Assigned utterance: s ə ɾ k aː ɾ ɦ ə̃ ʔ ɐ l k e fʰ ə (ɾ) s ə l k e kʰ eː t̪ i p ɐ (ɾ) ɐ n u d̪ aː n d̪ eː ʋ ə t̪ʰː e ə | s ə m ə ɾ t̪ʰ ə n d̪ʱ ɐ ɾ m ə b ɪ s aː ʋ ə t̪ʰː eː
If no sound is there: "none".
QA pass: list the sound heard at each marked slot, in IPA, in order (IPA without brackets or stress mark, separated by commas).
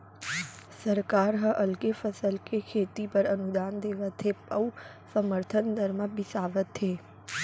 none, ɾ